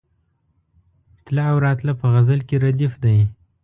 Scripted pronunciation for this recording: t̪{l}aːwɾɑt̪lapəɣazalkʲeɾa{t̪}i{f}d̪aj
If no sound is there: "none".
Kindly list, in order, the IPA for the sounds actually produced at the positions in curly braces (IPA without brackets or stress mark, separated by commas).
l, d̪, f